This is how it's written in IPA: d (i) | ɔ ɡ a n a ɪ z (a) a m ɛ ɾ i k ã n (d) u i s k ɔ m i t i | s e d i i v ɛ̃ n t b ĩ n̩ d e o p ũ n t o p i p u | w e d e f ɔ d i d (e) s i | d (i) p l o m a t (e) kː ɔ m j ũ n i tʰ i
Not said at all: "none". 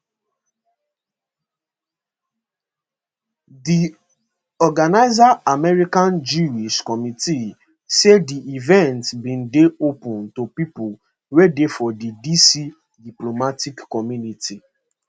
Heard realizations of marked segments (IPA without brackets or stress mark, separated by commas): i, a, d͡ʒ, i, i, i